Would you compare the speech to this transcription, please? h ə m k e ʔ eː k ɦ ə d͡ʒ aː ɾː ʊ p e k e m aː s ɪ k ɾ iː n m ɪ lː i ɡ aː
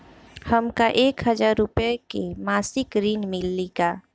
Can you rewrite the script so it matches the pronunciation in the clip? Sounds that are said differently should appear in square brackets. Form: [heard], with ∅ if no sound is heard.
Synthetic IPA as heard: h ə m k [a] ʔ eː k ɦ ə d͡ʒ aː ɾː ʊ p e k e m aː s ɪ k ɾ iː n m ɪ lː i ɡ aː